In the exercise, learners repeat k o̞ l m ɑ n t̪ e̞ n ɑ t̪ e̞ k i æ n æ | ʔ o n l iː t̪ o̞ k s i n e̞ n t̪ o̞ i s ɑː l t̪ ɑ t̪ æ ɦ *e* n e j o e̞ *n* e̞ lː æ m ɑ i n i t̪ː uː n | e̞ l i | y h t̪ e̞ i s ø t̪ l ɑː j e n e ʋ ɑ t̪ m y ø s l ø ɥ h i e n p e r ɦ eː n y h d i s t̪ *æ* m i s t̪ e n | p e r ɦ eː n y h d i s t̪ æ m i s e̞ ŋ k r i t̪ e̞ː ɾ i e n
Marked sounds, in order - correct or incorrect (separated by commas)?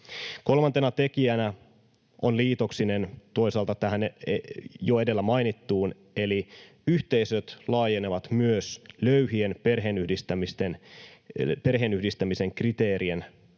incorrect, incorrect, correct